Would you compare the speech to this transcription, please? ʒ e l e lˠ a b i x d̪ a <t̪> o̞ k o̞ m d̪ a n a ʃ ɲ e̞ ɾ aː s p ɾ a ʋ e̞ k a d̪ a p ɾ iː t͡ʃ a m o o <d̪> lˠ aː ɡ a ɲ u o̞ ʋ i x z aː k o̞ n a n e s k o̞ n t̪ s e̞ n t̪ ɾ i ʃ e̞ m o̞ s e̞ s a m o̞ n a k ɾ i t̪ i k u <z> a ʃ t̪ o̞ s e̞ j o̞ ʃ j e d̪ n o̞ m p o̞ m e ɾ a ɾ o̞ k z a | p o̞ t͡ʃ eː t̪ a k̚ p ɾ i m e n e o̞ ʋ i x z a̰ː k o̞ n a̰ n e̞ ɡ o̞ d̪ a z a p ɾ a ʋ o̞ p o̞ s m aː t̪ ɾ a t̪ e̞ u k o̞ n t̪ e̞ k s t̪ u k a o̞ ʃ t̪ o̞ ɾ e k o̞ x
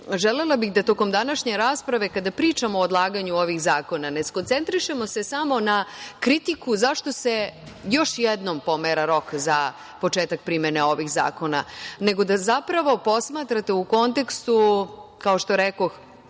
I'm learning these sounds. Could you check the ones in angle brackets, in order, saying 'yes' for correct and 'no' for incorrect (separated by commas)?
yes, yes, yes